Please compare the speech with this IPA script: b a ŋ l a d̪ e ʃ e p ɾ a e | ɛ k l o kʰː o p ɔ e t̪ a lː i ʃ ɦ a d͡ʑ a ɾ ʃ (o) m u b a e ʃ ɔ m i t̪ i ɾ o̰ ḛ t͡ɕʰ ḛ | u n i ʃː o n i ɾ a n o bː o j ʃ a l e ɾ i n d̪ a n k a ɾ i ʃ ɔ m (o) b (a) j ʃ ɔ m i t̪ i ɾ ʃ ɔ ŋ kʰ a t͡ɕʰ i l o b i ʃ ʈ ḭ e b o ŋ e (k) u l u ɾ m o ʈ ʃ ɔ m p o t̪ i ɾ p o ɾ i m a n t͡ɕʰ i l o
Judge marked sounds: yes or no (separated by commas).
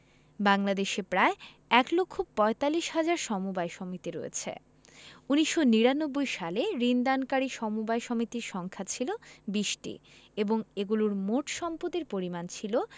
no, no, yes, no